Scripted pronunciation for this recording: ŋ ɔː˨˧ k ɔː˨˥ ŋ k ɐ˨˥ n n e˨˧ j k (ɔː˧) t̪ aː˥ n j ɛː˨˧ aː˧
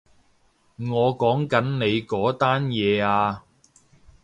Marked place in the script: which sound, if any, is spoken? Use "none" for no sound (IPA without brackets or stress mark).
ɔː˨˥